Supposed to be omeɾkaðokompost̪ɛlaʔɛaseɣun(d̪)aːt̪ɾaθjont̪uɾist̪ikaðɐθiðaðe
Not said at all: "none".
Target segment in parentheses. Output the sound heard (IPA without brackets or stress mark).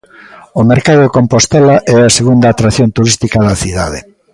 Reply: d̪